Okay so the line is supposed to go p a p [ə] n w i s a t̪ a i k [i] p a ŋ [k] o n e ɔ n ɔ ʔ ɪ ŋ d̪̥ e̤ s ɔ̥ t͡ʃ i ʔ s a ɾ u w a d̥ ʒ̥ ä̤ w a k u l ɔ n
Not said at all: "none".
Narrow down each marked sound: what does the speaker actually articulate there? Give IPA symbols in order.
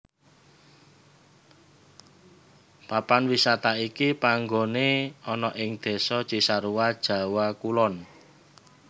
a, i, ɡ

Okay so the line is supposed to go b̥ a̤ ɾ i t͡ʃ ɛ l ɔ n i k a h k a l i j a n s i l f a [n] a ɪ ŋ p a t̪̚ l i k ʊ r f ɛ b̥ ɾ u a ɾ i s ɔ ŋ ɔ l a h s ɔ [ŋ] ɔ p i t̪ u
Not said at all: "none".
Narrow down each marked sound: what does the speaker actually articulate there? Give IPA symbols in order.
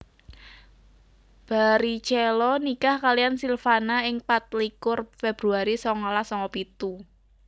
n, ŋ

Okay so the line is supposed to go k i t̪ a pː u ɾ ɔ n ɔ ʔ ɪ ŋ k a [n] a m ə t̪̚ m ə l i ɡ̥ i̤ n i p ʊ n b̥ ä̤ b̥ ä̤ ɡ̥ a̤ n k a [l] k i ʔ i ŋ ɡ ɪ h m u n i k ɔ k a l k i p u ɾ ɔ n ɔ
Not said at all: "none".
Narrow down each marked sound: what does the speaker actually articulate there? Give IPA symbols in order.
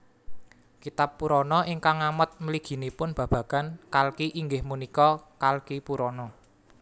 ŋ, l

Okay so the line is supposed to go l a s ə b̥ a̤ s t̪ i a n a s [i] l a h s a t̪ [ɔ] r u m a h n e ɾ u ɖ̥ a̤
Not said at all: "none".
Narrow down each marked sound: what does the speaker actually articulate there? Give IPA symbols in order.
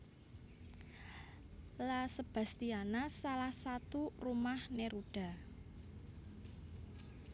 a, u

